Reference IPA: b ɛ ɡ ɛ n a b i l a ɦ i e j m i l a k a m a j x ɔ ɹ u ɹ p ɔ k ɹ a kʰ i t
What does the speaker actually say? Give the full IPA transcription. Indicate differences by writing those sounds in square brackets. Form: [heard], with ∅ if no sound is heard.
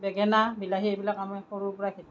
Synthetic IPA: b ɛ ɡ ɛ n a b i l a ɦ i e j [b] i l a k a m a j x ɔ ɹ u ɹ p ɔ [∅] ɹ a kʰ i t